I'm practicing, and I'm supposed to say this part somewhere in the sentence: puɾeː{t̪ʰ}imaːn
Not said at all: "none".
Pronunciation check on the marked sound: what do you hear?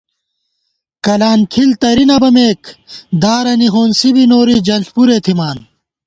t̪ʰ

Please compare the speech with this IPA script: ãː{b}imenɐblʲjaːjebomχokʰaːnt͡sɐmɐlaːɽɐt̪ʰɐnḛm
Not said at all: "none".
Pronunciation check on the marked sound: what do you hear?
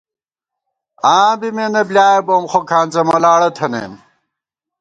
b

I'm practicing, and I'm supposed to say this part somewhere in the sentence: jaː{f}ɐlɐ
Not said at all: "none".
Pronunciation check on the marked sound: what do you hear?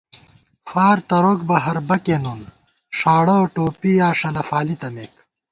ʂ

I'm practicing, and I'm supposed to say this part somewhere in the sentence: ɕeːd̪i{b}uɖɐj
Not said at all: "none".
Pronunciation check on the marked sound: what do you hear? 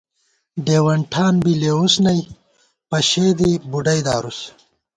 b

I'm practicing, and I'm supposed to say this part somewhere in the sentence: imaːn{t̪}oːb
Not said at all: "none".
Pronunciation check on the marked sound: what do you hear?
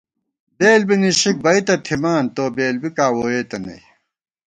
t̪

